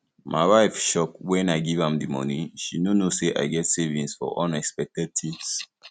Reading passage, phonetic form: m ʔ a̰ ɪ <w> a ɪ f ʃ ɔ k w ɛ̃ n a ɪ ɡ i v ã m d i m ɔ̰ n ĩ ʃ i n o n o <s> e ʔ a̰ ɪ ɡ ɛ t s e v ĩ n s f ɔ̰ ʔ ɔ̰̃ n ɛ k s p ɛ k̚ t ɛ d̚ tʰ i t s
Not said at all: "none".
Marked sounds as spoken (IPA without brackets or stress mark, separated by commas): w, s